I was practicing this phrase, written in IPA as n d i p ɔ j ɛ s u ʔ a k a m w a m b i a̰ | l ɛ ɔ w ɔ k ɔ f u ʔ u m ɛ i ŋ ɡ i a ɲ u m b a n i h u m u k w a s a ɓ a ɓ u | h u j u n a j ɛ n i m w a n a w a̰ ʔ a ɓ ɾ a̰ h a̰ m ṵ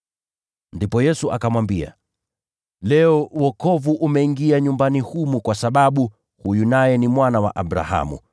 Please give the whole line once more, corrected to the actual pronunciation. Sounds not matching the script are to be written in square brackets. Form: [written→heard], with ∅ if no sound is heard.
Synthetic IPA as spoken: n d i p ɔ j ɛ s u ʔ a k a m w a m b i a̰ | l ɛ ɔ w ɔ k ɔ [f→v] u ʔ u m ɛ i ŋ ɡ i a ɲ u m b a n i h u m u k w a s a ɓ a ɓ u | h u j u n a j ɛ n i m w a n a w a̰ ʔ a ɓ ɾ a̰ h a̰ m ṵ